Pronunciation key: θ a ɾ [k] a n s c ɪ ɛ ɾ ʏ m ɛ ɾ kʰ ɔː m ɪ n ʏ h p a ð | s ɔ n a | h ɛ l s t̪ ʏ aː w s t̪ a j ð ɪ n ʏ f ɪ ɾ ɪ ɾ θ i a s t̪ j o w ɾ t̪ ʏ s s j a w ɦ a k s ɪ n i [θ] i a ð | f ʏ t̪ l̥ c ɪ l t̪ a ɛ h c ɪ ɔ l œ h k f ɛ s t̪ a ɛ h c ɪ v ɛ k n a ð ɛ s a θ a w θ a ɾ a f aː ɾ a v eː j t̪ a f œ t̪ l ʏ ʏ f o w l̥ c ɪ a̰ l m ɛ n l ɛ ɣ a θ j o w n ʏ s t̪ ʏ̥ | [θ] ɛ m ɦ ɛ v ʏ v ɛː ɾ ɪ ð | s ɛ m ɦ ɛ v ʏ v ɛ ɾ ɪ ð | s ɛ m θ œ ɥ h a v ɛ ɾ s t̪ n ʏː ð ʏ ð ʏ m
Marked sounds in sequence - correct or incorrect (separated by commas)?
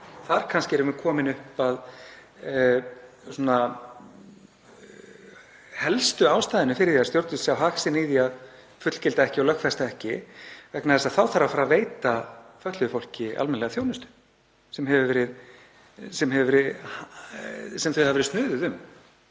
incorrect, incorrect, incorrect